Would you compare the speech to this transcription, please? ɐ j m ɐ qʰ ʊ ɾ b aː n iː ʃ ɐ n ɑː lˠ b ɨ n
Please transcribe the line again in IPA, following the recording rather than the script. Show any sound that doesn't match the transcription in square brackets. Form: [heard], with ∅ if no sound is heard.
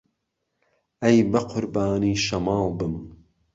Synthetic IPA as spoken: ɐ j [b] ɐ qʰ ʊ ɾ b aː n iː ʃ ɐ [m] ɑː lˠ b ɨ [m]